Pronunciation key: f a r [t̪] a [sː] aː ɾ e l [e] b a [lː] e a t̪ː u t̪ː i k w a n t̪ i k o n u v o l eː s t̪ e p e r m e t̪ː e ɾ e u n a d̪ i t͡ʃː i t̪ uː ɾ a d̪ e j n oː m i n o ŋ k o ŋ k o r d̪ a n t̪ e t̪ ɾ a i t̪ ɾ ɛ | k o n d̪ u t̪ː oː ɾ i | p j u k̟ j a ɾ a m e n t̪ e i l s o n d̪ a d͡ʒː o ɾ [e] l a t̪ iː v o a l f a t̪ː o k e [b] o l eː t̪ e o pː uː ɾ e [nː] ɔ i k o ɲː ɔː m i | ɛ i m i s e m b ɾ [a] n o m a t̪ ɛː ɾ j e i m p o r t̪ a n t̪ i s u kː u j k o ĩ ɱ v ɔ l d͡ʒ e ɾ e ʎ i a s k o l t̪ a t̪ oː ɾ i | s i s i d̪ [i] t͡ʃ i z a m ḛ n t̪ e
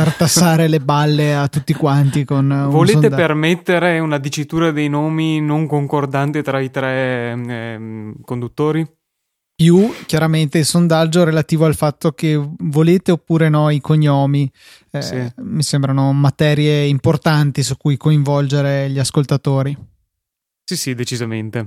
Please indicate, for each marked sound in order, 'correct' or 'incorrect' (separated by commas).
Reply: correct, correct, correct, correct, correct, incorrect, incorrect, correct, incorrect